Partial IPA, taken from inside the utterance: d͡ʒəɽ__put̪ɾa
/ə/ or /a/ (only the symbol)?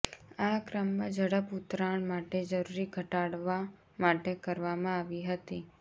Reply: ə